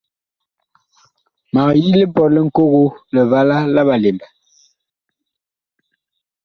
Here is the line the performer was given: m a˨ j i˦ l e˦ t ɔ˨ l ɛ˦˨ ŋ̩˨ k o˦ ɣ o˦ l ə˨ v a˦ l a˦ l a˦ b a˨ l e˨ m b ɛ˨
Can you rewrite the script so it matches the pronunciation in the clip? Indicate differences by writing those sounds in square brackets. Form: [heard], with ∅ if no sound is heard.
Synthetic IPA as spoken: m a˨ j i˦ l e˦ [p] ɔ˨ l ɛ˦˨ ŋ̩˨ k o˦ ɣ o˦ l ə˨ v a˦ l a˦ l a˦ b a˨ l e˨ m b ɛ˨